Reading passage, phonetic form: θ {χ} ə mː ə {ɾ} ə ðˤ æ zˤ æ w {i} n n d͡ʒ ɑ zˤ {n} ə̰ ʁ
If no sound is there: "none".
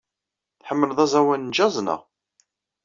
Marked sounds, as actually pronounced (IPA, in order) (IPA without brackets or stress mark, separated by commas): ħ, l, æ, n